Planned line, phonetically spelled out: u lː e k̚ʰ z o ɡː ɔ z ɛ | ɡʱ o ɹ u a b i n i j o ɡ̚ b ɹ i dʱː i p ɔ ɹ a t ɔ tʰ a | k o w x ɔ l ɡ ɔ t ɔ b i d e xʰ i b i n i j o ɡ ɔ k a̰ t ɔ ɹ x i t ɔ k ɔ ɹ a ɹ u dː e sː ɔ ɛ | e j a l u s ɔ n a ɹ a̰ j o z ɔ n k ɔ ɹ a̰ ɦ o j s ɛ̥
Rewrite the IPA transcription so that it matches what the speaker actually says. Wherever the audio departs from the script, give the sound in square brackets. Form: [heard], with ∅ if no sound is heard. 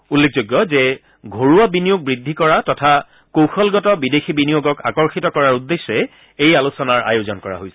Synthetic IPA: u lː e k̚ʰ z o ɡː ɔ z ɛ | ɡʱ o ɹ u a b i n i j o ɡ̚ b ɹ i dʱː i [k] ɔ ɹ a t ɔ tʰ a | k o w x ɔ l ɡ ɔ t ɔ b i d e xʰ i b i n i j o ɡ ɔ k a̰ [k] ɔ ɹ x i t ɔ k ɔ ɹ a ɹ u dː e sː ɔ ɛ | e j a l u s ɔ n a ɹ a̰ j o z ɔ n k ɔ ɹ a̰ ɦ o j s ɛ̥